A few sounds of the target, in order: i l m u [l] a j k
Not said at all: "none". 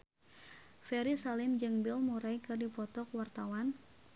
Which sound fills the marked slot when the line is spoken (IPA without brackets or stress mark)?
ɾ